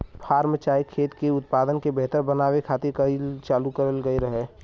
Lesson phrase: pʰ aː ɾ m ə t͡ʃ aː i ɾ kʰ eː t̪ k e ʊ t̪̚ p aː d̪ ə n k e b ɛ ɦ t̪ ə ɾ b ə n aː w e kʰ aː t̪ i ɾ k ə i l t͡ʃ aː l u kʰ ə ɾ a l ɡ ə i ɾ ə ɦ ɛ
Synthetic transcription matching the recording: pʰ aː ɾ m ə t͡ʃ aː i kʰ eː t̪ k e ʊ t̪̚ p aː d̪ ə n k e b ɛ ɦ t̪ ə ɾ b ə n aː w e kʰ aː t̪ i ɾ k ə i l t͡ʃ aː l u k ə ɾ ə l ɡ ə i ɾ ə ɦ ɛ